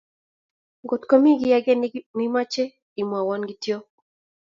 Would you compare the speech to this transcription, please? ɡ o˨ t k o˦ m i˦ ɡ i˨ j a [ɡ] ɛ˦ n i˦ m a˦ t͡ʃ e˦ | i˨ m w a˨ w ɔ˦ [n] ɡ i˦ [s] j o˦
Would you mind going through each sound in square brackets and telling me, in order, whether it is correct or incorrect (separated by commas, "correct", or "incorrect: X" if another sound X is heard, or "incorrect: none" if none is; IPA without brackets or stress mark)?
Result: correct, correct, incorrect: t